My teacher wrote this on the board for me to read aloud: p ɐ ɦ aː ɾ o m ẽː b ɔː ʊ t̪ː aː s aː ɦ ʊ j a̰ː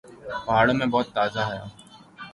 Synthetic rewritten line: p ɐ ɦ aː ɽ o m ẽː b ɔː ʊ t̪ː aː z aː ɦ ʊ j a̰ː